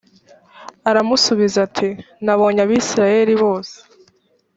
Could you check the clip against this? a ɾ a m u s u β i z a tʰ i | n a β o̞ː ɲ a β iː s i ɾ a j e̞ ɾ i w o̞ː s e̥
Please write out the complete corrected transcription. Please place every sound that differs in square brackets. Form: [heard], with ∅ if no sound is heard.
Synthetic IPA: a ɾ a m u s u β i z a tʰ i | n a β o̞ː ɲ a β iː s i ɾ a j e̞ ɾ i [β] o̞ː s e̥